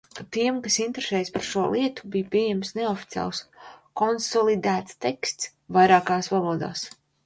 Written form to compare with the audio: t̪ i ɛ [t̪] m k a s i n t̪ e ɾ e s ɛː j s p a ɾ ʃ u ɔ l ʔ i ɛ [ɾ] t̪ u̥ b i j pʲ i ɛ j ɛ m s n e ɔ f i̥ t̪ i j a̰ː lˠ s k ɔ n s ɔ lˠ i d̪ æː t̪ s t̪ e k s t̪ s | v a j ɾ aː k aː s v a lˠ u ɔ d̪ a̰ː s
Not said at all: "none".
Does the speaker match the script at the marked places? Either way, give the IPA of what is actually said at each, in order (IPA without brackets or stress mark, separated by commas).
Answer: none, none